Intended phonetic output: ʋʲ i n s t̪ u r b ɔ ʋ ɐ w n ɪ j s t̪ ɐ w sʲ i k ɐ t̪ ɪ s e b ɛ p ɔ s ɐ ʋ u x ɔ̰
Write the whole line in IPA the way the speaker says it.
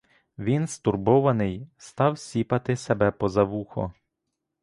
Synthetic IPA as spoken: ʋʲ i n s t̪ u r b ɔ ʋ ɐ n ɪ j s t̪ ɑ w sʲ i p ɐ t̪ ɪ s e b ɛ p ɔ z ɐ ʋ u x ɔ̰